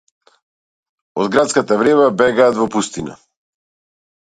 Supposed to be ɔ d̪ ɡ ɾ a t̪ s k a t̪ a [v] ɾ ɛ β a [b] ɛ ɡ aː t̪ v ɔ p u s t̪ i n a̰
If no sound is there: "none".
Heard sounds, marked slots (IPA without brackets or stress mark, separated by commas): v, b